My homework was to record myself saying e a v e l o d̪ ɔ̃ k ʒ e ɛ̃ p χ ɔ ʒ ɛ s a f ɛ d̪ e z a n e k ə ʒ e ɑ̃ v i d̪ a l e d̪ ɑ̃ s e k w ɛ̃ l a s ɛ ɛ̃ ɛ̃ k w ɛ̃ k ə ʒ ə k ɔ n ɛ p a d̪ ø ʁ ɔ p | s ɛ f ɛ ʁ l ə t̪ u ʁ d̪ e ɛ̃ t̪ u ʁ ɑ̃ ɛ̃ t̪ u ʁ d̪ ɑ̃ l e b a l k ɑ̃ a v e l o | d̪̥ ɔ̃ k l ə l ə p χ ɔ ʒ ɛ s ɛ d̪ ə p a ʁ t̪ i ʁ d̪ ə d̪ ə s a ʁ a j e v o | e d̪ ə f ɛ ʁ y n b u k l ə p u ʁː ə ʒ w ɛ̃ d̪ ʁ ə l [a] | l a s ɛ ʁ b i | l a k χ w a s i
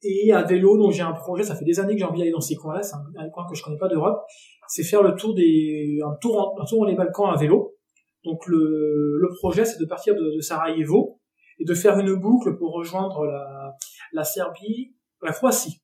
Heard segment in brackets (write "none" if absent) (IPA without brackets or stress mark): a